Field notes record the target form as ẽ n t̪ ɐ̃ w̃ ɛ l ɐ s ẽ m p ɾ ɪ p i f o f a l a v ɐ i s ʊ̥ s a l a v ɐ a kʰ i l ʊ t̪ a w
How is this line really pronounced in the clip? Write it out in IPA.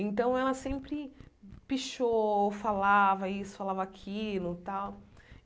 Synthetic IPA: ẽ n t̪ ɐ̃ w̃ ɛ l ɐ s ẽ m p ɾ ɪ p i ʃ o f a l a v ɐ i s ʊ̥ f a l a v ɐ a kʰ i l ʊ t̪ a w